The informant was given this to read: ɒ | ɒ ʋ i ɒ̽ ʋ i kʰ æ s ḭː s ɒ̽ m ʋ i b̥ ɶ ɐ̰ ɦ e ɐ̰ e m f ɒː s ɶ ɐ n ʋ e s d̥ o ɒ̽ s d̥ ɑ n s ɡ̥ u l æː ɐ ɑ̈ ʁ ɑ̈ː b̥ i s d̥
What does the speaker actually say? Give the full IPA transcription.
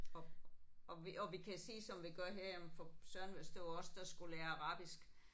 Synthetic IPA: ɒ | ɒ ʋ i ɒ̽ ʋ i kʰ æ s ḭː s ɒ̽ m ʋ i ɡ̥ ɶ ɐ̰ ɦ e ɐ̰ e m f ɒ s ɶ ɐ n ʋ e s d̥ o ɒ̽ s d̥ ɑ s ɡ̥ u l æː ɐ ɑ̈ ʁ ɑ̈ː b̥ i s ɡ̥

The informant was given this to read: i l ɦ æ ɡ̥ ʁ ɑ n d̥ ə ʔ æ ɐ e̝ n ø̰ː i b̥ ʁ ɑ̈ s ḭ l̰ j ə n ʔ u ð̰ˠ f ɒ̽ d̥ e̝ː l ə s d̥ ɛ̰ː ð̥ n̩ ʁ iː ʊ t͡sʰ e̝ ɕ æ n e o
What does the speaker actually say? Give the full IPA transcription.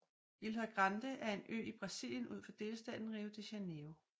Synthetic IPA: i l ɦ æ ɡ̥ ʁ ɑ n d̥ ə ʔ æ ɐ e̝ n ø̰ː i b̥ ʁ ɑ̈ s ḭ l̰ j ə n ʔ u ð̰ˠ f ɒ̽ d̥ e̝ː l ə s d̥ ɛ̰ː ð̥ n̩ ʁ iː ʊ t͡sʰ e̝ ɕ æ n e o

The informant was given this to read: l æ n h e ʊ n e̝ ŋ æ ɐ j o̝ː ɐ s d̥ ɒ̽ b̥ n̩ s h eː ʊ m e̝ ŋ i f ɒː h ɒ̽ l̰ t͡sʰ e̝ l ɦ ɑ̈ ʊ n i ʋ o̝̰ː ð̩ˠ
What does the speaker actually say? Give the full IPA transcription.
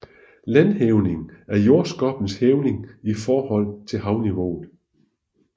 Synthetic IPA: l æ n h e ʊ n e̝ ŋ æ ɐ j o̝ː ɐ s ɡ̥ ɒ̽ b̥ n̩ s h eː ʊ n e̝ ŋ i f ɒː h ɒ̽ l̰ t͡sʰ e̝ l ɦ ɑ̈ ʊ n i ʋ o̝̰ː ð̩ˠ

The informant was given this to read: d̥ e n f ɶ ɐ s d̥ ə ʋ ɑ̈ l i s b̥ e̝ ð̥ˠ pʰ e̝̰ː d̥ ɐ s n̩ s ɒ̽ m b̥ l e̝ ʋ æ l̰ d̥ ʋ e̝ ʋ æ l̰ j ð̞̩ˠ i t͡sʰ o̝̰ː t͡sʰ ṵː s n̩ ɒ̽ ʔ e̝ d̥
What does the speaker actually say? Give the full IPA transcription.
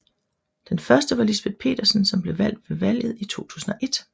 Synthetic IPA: d̥ e n f ɶ ɐ s d̥ ə ʋ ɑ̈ l i s b̥ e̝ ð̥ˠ pʰ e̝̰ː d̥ ɐ s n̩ s ɒ̽ m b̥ l e̝ ʋ æ l̰ d̥ ʋ e̝ ʋ æ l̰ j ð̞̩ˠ i t͡sʰ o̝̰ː t͡sʰ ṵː s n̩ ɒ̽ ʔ e̝ d̥

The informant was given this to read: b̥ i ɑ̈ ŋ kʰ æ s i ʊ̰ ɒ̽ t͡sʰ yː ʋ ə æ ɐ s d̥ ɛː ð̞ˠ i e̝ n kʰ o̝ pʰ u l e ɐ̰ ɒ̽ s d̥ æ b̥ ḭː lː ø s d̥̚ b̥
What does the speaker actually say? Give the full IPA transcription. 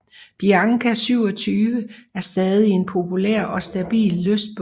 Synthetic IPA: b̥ i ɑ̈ ŋ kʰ æ s y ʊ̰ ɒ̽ t͡sʰ yː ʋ ə æ ɐ s d̥ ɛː ð̞ˠ i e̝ n pʰ o̝ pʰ u l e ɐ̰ ɒ̽ s d̥ æ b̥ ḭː lː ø s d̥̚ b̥

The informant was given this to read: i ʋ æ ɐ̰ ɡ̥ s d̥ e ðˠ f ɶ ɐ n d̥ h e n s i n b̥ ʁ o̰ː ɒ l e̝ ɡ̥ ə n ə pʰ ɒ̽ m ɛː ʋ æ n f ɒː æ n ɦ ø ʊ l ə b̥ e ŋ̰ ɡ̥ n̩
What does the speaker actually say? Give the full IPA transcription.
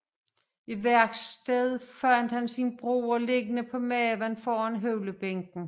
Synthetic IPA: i ʋ æ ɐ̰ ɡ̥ s d̥ e ðˠ f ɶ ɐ n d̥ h æ n s i n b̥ ʁ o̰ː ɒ l e̝ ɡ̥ ə n ə pʰ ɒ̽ m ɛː ʋ æ n f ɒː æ n ɦ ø ʊ l ə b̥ e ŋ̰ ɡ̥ n̩

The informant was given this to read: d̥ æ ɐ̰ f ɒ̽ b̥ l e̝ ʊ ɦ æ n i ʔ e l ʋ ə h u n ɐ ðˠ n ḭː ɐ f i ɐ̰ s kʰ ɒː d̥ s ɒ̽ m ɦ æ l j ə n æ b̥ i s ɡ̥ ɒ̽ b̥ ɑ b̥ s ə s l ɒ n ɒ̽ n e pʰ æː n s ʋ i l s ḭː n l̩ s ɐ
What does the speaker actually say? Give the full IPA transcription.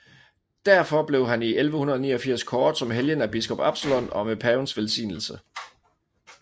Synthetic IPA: d̥ æ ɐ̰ f ɒ̽ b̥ l e̝ ʊ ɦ æ n i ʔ e l ʋ ə h u n ɐ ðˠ n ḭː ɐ f i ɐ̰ s kʰ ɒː d̥ s ɒ̽ m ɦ e l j ə n æ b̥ i s ɡ̥ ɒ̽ b̥ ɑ b̥ s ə l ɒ n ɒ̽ m e pʰ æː n s ʋ e l s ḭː n l̩ s ə

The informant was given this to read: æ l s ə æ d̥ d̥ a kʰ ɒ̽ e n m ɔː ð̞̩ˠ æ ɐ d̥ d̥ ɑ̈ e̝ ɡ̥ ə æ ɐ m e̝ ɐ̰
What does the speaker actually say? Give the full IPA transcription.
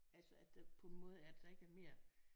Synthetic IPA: æ l s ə æ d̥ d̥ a pʰ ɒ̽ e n m ɔː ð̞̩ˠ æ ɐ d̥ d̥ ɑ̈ e̝ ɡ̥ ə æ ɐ m e̝ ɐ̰

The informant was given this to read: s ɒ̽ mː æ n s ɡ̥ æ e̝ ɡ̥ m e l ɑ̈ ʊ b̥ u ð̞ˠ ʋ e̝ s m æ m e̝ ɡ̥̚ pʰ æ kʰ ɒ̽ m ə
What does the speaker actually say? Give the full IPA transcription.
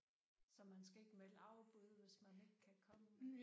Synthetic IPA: s ɒ̽ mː æ n s ɡ̥ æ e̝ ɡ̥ m e l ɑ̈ ʊ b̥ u ð̞ˠ ʋ e̝ s m æ n e̝ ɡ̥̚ kʰ æ kʰ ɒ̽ m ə

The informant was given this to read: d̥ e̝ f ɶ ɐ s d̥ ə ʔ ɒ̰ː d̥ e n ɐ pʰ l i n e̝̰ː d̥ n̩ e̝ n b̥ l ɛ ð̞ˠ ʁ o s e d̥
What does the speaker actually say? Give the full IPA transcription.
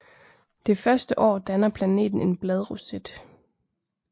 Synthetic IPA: d̥ e̝ f ɶ ɐ s d̥ ə ʔ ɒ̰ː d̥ æ n ɐ pʰ l æ n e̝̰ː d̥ n̩ e̝ n b̥ l ɛ ð̞ˠ ʁ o s e d̥

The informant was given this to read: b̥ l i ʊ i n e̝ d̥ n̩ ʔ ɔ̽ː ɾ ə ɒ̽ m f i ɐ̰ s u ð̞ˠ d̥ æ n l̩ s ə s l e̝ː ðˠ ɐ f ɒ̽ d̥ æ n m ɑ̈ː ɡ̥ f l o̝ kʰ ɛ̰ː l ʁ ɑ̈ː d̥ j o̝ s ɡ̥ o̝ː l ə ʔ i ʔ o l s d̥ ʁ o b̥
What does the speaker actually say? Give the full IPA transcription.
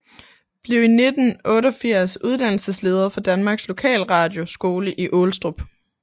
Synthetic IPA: b̥ l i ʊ i n e̝ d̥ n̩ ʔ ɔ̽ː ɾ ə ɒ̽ f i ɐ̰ s u ð̞ˠ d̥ æ n l̩ s ə s l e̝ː ðˠ ɐ f ɒ̽ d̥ æ n m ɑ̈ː ɡ̥ s l o̝ kʰ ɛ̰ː l ʁ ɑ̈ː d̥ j o̝ s ɡ̥ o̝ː l ə ʔ i ʔ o l s d̥ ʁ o b̥

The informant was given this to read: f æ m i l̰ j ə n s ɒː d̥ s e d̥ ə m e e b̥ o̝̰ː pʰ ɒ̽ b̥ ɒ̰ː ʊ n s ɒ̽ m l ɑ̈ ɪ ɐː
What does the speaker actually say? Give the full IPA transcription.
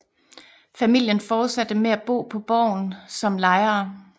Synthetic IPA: f æ m i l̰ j ə n f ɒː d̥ s æ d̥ ə m e æ b̥ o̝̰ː pʰ ɒ̽ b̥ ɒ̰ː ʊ n s ɒ̽ m l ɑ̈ ɪ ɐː

